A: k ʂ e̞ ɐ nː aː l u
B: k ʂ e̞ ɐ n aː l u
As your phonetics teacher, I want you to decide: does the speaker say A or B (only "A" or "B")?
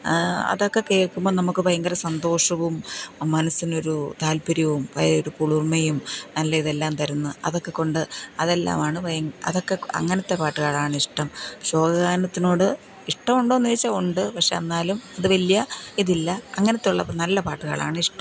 A